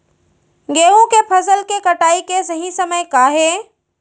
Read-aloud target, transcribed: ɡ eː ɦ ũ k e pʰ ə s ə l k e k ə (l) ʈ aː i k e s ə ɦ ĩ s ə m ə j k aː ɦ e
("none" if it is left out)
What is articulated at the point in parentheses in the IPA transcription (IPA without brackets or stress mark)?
none